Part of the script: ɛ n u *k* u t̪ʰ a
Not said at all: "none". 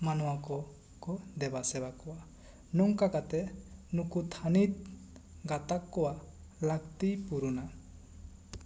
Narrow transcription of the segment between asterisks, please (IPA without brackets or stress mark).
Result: k